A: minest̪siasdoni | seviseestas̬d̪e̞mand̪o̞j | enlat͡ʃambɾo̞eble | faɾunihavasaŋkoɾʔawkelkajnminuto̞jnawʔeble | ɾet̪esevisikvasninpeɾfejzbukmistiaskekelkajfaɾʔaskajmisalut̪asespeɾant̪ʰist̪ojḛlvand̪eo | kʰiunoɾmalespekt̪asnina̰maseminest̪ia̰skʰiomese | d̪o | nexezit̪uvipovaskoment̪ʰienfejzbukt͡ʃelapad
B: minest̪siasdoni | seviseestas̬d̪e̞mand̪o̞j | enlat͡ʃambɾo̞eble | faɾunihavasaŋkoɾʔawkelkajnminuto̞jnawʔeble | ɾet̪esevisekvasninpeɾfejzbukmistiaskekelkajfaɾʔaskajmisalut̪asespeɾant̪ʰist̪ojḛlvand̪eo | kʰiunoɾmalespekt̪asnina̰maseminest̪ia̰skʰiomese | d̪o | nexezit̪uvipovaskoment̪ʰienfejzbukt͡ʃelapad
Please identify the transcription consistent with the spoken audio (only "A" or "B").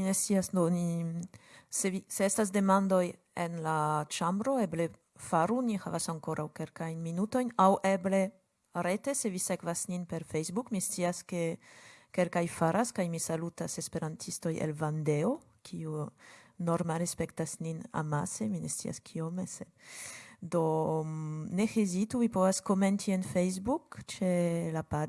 B